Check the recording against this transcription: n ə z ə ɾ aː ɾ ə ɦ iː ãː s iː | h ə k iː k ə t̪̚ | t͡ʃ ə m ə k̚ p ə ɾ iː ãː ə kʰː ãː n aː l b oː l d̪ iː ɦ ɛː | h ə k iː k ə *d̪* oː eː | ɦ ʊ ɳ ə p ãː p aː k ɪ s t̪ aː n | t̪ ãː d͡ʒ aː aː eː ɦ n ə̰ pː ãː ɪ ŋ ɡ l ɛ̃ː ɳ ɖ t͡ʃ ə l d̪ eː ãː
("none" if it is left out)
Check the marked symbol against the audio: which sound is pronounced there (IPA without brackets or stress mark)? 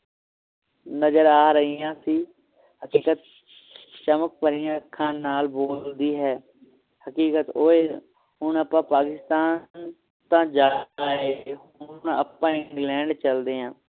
t̪